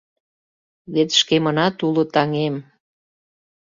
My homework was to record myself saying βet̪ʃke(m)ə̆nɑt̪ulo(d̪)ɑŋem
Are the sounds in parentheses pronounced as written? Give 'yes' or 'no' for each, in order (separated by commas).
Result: yes, no